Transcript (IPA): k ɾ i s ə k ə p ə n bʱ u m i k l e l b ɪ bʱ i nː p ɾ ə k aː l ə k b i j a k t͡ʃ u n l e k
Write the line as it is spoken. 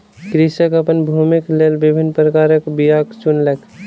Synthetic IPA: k ɾ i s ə k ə p ə n bʱ u m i k l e l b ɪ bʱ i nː p ɾ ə k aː ɾ ə k b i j a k t͡ʃ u n l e k

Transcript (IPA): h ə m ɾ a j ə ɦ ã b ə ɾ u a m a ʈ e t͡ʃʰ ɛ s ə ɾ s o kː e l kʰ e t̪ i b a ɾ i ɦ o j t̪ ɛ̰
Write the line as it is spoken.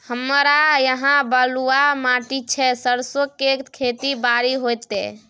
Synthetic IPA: h ə m ɾ a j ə ɦ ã b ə l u a m a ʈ i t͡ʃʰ ɛ s ə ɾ s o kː e kʰ e t̪ i b a ɾ i ɦ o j t̪ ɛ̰

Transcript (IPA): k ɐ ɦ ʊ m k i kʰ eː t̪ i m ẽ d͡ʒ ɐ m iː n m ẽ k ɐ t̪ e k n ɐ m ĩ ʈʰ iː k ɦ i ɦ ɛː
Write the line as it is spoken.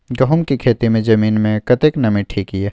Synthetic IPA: ɡ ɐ ɦ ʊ m k i kʰ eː t̪ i m ẽ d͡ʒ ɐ m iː n m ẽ k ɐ t̪ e k n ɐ m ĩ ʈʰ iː k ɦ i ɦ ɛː

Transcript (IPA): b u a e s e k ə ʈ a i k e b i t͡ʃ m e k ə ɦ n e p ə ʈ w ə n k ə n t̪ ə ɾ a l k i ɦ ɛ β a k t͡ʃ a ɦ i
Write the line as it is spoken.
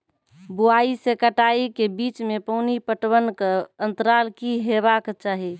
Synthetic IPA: b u a i s e k ə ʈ a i k e b i t͡ʃ m e p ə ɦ n i p ə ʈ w ə n k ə n t̪ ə ɾ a l k i ɦ e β a k t͡ʃ a ɦ i

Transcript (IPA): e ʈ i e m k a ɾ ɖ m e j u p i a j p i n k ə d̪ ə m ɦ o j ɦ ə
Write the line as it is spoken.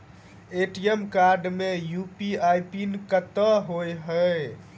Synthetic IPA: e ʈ i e m k a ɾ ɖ m e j u p i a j p i n k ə t̪ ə ɦ o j ɦ ə

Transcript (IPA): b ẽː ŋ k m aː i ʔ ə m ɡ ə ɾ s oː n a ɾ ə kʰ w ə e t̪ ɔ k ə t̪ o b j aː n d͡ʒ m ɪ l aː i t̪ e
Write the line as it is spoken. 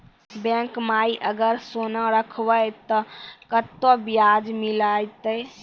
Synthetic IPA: b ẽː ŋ k m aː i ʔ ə ɡ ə ɾ s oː n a ɾ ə kʰ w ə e t̪ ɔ k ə t̪ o b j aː d͡ʒ m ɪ l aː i t̪ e

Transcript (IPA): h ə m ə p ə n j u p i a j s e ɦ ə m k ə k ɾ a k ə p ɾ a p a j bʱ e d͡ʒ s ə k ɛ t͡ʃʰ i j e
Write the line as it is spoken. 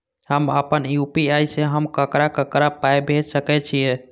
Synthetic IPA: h ə m ə p ə n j u p i a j s e ɦ ə m k ə k ɾ a k ə k ɾ a p a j bʱ e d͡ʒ s ə k ɛ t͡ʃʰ i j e

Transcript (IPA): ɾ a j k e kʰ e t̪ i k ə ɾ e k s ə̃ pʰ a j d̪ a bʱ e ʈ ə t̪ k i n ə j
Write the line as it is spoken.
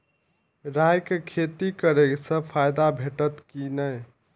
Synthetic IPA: ɾ a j k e kʰ e t̪ i k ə ɾ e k s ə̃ pʰ a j d̪ a bʱ e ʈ ə t̪ k i n ə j

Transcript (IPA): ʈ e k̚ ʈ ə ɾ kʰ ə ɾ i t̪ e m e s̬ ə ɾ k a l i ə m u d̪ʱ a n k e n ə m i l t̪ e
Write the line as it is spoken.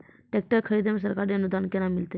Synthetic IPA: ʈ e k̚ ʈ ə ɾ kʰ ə ɾ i d̪ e m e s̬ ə ɾ k a ɾ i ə n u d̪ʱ a n k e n a m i l t̪ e

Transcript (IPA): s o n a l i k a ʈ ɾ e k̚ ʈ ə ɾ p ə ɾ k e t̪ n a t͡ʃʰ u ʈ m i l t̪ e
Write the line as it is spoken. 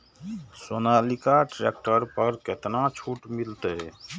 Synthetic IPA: s o n a l i k a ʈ ɾ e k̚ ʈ ə ɾ p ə ɾ k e t̪ n a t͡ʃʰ u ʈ m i l t̪ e

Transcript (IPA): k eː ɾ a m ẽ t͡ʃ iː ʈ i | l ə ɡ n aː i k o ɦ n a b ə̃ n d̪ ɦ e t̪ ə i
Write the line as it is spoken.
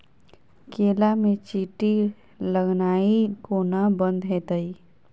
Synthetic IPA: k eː l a m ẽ t͡ʃ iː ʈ i | l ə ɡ n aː i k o n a b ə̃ n d̪ ɦ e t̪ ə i

